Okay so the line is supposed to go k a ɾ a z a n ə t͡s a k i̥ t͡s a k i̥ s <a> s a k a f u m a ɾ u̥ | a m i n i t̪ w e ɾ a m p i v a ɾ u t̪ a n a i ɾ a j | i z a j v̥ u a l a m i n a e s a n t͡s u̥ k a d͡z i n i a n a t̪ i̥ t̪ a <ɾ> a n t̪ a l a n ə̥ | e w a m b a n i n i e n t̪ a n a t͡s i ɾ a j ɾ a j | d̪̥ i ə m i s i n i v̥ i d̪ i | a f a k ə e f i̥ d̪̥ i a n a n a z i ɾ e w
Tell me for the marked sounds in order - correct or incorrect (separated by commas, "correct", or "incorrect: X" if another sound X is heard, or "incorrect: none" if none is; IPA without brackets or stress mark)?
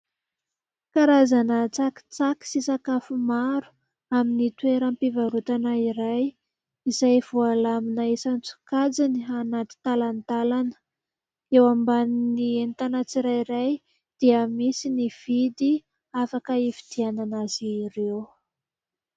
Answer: incorrect: i, incorrect: l